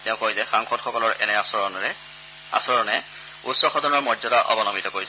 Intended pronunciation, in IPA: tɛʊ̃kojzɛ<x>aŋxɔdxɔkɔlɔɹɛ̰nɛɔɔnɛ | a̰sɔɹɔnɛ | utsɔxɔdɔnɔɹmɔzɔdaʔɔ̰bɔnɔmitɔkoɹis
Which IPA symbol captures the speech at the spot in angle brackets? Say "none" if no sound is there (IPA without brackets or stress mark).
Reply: x